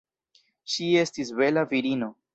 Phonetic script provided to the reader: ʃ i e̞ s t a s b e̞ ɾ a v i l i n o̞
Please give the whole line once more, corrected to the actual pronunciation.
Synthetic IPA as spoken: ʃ i e̞ s t i s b e̞ l a v i ɾ i n o̞